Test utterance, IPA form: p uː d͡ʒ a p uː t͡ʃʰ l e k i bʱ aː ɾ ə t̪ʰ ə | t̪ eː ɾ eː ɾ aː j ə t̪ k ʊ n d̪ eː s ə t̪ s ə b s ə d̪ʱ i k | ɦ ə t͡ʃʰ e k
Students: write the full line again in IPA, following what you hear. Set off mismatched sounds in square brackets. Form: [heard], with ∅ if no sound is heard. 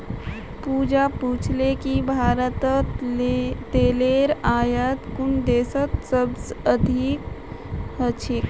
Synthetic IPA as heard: p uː d͡ʒ a p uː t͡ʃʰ l e k i bʱ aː ɾ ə [t̪] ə | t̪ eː [l] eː ɾ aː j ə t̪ k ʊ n d̪ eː s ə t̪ s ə b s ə d̪ʱ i k | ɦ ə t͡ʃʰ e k